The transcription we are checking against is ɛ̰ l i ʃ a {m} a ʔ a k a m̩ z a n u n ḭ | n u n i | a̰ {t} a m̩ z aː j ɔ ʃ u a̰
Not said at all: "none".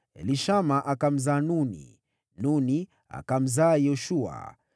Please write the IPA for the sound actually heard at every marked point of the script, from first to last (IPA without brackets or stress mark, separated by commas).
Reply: m, k